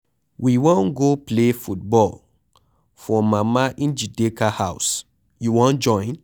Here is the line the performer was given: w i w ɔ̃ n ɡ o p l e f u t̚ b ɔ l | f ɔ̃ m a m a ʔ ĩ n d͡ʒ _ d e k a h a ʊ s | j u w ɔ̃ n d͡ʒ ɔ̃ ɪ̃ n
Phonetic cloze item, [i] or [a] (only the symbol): i